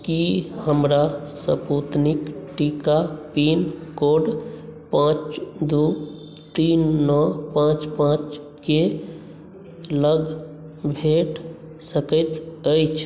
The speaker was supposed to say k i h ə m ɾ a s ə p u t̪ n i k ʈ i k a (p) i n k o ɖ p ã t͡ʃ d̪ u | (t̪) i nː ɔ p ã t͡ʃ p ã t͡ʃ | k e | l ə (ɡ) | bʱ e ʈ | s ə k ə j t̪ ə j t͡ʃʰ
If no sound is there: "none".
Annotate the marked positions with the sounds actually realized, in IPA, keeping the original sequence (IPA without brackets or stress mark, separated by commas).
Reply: p, t̪, ɡ